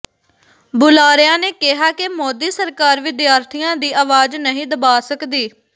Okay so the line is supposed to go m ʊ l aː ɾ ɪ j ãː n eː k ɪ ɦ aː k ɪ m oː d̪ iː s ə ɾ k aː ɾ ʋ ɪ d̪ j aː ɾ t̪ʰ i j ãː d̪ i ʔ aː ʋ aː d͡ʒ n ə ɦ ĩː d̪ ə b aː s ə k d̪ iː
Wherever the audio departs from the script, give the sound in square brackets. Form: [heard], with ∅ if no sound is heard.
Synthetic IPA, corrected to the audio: [b] ʊ l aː ɾ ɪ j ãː n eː k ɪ ɦ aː k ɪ m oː d̪ iː s ə ɾ k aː ɾ ʋ ɪ d̪ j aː ɾ t̪ʰ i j ãː d̪ [iː] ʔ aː ʋ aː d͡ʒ n ə ɦ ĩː d̪ ə b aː s ə k d̪ iː